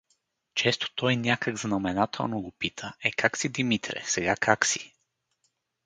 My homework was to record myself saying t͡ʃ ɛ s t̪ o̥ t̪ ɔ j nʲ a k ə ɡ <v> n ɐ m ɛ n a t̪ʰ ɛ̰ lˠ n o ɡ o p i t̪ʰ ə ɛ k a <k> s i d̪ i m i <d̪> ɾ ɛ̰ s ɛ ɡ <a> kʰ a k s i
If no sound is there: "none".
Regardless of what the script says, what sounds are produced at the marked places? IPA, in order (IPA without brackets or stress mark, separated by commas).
z, k, t̪, a